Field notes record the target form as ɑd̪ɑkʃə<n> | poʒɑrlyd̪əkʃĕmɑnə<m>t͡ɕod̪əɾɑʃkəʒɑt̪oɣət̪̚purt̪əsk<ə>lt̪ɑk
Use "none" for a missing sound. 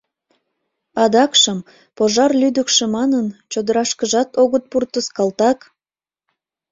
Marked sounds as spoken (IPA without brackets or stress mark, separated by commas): m, n, ɑ